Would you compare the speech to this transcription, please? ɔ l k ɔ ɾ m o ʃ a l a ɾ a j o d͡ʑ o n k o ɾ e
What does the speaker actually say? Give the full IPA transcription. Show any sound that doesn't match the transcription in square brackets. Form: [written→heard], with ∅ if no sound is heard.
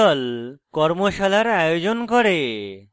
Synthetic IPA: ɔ l k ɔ ɾ m o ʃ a l a ɾ a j o d͡ʑ o n k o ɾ e